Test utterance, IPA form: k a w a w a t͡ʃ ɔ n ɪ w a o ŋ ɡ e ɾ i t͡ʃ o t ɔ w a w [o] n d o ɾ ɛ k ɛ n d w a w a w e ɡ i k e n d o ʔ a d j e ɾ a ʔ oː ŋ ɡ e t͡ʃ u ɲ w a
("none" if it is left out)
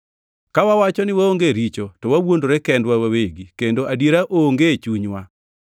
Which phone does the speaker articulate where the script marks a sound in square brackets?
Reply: o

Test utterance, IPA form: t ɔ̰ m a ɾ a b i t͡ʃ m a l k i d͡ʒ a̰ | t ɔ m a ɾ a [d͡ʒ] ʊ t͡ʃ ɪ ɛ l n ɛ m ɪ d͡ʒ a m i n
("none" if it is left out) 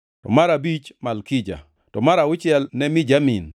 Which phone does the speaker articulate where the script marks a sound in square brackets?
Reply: none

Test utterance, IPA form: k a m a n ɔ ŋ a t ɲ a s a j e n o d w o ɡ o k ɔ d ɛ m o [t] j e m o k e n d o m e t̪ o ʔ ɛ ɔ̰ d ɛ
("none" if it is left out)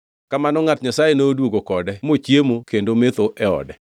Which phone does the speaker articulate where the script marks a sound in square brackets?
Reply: t͡ʃ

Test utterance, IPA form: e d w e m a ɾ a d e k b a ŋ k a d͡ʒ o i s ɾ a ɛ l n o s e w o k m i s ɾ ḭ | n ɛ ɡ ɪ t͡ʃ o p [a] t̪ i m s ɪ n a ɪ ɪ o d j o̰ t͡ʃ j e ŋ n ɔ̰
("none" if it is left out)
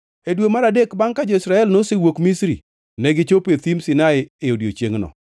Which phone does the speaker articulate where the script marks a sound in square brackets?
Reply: e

